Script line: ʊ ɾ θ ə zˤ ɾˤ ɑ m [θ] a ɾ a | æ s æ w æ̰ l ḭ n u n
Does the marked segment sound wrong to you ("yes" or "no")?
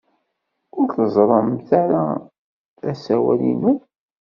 no